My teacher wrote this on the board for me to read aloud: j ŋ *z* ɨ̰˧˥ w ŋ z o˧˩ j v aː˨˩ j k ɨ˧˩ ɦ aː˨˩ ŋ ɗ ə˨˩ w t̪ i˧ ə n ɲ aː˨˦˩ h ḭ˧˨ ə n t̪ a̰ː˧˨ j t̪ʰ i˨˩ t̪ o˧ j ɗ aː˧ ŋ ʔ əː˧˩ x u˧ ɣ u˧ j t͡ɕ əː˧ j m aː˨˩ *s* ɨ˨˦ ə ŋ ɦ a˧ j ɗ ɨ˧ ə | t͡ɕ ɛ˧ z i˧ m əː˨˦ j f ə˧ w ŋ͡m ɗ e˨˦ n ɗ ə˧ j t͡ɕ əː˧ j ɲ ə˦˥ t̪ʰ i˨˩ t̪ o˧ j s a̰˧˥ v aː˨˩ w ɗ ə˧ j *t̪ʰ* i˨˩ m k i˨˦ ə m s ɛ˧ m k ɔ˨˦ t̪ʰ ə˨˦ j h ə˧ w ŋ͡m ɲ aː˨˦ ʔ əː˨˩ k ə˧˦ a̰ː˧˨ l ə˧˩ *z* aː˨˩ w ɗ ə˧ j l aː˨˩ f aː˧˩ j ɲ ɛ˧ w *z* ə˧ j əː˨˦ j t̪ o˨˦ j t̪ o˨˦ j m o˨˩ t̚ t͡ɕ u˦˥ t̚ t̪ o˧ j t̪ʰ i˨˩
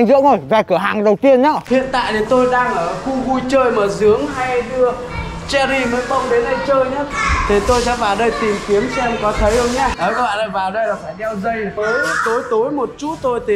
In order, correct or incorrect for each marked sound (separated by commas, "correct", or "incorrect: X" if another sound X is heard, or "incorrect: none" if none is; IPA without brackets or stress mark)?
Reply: correct, incorrect: z, incorrect: t̪, incorrect: v, correct